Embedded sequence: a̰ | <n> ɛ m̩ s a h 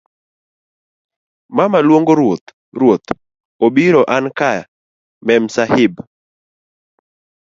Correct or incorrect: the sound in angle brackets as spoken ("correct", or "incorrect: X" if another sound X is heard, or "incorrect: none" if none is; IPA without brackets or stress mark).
incorrect: m